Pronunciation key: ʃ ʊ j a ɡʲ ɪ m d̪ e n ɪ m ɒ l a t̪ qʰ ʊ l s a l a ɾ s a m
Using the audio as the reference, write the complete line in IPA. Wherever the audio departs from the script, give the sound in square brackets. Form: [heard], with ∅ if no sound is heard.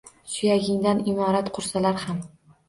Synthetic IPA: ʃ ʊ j a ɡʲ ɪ [ŋ] d̪ [a] n ɪ m ɒ [ɾ] a t̪ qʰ ʊ [ɾ] s a l a ɾ [h] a m